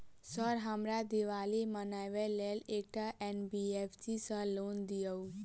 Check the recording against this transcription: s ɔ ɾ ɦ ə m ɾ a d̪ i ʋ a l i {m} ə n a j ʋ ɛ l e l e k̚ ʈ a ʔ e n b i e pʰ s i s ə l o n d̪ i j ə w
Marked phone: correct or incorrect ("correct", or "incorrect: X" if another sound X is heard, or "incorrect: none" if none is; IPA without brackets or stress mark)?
correct